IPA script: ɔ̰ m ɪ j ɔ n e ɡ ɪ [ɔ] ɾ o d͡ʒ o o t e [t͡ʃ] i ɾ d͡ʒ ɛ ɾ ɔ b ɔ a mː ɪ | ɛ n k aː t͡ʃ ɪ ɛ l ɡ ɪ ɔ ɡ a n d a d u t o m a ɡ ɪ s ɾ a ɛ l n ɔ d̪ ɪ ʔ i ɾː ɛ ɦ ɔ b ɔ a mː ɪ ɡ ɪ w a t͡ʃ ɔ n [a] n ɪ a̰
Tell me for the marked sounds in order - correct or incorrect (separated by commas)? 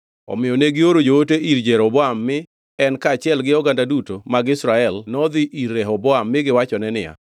incorrect, incorrect, incorrect